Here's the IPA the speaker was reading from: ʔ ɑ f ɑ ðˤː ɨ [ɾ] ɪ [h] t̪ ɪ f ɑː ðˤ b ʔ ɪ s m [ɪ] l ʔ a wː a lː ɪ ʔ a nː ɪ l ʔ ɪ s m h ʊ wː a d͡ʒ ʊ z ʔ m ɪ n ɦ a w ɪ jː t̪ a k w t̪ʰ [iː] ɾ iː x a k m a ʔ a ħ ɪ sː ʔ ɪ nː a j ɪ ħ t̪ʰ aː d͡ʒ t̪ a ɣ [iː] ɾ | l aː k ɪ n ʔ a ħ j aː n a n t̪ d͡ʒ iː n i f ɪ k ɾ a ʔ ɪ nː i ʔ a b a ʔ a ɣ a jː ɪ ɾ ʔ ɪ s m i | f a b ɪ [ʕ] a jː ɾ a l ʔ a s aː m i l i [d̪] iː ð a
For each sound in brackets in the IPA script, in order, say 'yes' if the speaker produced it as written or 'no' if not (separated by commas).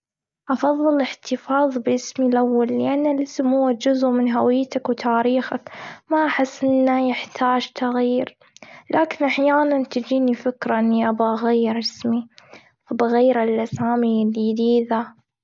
no, no, no, no, yes, no, yes